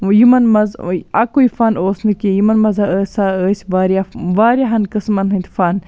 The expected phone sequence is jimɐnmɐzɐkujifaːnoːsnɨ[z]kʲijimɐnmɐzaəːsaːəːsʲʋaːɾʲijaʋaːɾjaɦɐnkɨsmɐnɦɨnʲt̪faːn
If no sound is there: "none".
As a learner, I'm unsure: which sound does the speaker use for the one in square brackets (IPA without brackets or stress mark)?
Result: none